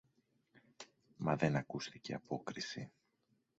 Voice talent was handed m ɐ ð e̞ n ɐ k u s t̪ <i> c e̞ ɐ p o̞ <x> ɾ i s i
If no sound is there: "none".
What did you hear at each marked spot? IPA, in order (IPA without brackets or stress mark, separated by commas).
i, k